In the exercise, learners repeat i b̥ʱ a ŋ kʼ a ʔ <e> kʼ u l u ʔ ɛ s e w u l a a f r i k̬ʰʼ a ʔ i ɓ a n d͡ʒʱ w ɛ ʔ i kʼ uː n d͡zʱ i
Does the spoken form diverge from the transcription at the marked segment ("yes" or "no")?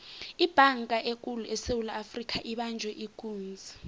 no